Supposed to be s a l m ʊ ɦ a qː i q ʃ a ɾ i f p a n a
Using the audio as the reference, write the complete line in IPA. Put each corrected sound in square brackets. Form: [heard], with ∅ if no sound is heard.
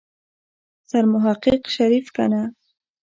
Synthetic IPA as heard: s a [ɾ] m ʊ ɦ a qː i q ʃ a ɾ i f [k] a n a

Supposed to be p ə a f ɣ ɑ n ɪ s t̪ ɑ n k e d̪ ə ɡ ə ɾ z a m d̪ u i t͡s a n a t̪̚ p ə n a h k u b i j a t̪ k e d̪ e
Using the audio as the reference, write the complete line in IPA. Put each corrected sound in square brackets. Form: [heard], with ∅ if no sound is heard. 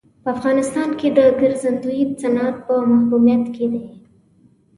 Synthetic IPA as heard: p ə a f ɣ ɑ n ɪ s t̪ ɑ n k e d̪ ə ɡ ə ɾ z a [n] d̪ u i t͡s a n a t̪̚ p ə [m] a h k u [m] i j a t̪ k e d̪ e

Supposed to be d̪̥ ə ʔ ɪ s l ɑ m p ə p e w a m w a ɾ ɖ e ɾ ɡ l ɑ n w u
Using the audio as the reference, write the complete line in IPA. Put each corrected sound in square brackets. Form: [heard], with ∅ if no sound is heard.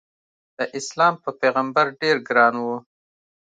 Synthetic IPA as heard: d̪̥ ə ʔ ɪ s l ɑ m p ə p e [ɣ] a m [b] a ɾ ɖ e ɾ ɡ [ɾ] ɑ n w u

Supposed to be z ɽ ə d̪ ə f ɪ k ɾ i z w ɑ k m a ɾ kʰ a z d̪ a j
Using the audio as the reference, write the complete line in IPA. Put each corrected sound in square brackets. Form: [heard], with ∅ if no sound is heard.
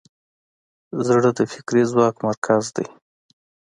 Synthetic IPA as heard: z ɽ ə d̪ ə f ɪ k ɾ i z w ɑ k m a ɾ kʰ a z d̪ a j

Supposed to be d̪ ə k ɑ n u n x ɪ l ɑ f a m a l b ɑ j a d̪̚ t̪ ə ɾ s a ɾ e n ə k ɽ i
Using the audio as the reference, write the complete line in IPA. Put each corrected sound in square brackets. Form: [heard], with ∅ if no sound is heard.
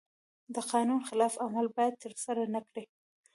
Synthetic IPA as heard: d̪ ə [q] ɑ n u n x ɪ l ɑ f a m a l b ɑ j a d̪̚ t̪ ə ɾ s a ɾ [a] n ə k ɽ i

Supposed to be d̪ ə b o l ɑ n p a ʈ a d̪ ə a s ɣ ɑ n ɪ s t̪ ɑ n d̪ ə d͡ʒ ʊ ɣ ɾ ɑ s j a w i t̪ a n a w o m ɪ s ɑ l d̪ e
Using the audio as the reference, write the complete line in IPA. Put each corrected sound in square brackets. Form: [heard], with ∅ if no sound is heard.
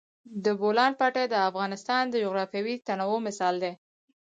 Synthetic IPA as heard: d̪ ə b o l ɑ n p a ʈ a d̪ ə a [f] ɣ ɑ n ɪ s t̪ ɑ n d̪ ə d͡ʒ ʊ ɣ ɾ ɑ [f] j a w i t̪ a n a w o m ɪ s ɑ l d̪ e

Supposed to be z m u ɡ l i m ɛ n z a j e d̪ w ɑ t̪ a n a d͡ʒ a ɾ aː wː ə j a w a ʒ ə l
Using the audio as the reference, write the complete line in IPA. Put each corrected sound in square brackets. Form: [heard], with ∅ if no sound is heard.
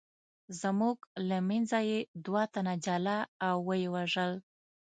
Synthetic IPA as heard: z m u ɡ l [a] m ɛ n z a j e d̪ w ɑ t̪ a n a d͡ʒ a [l] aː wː ə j [e] w a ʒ ə l

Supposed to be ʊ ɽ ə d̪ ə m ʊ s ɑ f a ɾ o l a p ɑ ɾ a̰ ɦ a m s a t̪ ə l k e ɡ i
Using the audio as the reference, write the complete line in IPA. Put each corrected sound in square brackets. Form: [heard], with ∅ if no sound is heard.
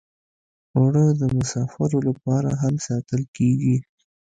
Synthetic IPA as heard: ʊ ɽ ə d̪ ə m ʊ s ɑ f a ɾ o l a p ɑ ɾ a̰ ɦ a m s [ɑ] t̪ ə l k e ɡ i

